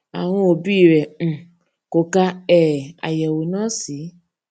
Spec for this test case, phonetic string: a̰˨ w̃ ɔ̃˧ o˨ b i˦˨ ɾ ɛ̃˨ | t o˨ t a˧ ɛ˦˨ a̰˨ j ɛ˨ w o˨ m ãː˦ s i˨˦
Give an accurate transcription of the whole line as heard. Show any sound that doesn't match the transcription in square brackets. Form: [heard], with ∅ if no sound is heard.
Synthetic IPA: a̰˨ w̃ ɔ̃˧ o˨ b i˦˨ ɾ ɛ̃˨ | [k] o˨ [k] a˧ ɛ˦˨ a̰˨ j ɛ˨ w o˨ [n] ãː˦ s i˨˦